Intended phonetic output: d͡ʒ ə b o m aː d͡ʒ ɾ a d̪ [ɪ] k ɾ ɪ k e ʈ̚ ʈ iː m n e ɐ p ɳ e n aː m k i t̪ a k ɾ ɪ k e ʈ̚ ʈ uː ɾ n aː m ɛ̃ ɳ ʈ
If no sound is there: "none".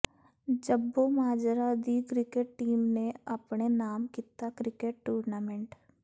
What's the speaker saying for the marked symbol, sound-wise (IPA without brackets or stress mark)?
i